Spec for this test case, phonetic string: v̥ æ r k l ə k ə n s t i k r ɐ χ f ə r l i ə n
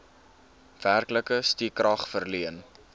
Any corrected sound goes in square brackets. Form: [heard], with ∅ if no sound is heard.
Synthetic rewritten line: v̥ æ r k l ə k ə [∅] s t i k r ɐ χ f ə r l i ə n